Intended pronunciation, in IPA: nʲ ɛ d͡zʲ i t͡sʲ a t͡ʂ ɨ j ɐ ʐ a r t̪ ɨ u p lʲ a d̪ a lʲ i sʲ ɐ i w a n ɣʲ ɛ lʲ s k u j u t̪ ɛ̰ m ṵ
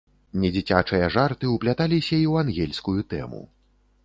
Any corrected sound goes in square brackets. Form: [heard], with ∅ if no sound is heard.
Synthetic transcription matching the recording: nʲ ɛ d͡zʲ i t͡sʲ a t͡ʂ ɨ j ɐ ʐ a r t̪ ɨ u p lʲ a [t̪] a lʲ i sʲ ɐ i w a n ɣʲ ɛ lʲ s k u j u t̪ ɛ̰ m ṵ